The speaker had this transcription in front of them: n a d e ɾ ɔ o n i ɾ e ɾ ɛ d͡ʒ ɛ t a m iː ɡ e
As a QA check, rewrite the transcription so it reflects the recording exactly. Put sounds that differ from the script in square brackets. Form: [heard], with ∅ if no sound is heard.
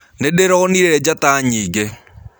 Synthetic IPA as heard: n [e] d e ɾ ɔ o n i ɾ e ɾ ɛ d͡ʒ [a] t a [ɲ] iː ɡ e